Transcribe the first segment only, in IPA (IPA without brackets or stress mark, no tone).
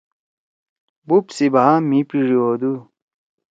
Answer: b